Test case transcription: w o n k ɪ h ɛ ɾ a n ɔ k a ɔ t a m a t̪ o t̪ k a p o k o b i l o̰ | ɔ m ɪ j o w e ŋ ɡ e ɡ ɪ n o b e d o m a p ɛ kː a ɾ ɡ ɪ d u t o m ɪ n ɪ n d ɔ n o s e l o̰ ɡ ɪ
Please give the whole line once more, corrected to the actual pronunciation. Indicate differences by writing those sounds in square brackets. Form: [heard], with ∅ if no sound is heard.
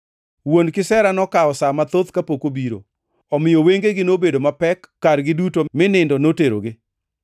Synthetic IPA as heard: w o n k ɪ [s] ɛ ɾ a n ɔ k a ɔ [s] a m a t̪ o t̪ k a p o k o b i [ɾ] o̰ | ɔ m ɪ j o w e ŋ ɡ e ɡ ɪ n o b e d o m a p ɛ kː a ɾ ɡ ɪ d u t o m ɪ n ɪ n d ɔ n o [t] e [ɾ] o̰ ɡ ɪ